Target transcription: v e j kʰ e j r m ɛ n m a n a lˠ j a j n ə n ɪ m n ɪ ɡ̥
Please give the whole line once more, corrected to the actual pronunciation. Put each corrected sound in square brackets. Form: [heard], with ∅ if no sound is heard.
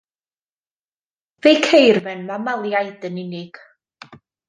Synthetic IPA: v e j kʰ e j r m ɛ n m a [m] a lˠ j a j [d] ə n ɪ [∅] n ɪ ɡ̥